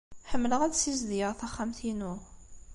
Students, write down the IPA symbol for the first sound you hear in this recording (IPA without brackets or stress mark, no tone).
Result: ħ